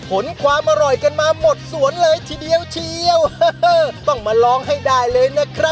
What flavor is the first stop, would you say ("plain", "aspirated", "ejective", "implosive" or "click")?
aspirated